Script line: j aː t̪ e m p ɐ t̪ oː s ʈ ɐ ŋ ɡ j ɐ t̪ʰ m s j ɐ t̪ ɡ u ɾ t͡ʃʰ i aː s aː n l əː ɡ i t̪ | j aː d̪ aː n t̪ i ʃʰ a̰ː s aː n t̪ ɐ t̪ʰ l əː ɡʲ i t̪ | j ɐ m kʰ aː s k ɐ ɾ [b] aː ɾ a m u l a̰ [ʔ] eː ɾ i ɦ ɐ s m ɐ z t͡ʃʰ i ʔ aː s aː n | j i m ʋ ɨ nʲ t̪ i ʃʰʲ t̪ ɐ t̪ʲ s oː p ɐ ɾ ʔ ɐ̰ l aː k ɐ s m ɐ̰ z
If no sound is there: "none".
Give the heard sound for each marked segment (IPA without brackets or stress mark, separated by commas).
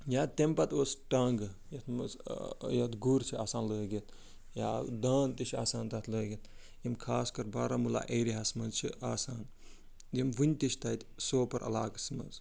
b, ʔ